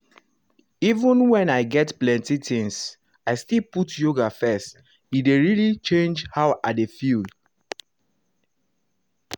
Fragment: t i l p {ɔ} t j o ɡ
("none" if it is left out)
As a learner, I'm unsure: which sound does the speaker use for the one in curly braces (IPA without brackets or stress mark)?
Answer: u